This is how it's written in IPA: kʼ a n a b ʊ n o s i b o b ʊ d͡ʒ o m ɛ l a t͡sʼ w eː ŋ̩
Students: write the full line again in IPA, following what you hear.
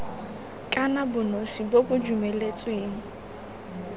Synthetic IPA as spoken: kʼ a n a b ʊ n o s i b o b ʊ d͡ʒ u m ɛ l e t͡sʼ w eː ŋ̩